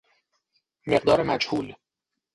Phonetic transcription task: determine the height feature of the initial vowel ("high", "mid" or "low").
mid